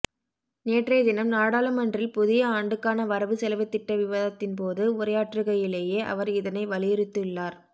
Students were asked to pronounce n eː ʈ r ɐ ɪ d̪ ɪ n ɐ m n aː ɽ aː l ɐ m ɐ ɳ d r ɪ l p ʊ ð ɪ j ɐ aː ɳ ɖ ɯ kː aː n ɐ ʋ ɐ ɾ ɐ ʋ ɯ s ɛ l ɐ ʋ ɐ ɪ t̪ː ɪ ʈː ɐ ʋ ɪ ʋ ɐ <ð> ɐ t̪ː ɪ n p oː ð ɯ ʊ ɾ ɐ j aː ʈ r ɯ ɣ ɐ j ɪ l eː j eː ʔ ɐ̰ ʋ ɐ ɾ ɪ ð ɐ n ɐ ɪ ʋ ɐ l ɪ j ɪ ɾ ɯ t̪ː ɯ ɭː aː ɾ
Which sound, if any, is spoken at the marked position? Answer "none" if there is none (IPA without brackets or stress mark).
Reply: ð